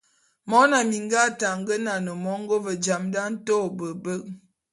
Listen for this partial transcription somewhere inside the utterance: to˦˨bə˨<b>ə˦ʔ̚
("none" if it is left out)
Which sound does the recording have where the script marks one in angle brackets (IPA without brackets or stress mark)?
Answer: b